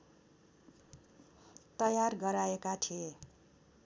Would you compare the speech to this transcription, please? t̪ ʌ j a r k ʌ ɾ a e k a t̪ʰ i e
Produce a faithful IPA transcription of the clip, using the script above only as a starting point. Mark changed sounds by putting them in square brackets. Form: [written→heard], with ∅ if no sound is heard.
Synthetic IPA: t̪ ʌ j a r [k→ɡ] ʌ ɾ a e k a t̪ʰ i e